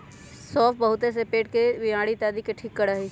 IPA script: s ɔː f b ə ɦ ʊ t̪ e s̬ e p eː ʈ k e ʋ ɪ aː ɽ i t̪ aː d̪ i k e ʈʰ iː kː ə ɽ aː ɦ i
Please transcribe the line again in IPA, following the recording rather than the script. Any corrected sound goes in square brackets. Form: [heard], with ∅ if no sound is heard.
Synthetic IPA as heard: s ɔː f b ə ɦ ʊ t̪ e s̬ e p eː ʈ k e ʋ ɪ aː ɽ i t̪ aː d̪ i k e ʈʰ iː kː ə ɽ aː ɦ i